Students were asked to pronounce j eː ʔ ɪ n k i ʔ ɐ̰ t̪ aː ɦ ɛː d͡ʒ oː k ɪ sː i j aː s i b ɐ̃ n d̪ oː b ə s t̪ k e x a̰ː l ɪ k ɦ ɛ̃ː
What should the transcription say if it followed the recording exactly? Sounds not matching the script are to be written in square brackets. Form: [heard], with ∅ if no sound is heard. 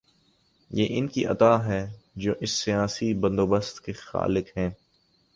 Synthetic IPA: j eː ʔ ɪ n k i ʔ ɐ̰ t̪ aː ɦ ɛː d͡ʒ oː [ʔ] ɪ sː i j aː s i b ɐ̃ n d̪ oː b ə s t̪ k e x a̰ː l ɪ k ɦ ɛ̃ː